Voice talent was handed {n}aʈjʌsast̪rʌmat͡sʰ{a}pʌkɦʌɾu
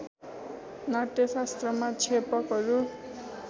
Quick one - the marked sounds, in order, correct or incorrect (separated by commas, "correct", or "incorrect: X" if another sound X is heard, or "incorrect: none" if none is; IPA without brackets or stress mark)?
correct, incorrect: e